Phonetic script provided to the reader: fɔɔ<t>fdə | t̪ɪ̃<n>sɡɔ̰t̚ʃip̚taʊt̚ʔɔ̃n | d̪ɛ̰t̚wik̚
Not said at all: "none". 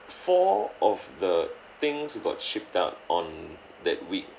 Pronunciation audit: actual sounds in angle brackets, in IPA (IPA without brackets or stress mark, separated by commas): none, ŋ